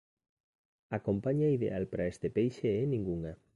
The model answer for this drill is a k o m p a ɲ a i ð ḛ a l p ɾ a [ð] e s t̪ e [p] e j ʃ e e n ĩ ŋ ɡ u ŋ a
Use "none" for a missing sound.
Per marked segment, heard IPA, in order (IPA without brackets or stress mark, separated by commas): none, p